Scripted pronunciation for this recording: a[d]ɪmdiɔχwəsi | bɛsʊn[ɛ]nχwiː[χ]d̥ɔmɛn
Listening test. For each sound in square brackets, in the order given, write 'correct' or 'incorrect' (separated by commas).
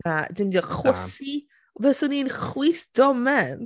correct, incorrect, incorrect